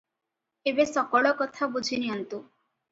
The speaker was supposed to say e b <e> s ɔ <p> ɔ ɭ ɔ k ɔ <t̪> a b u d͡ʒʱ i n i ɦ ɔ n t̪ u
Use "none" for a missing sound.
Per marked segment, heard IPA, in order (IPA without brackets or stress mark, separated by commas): e, k, t̪ʰ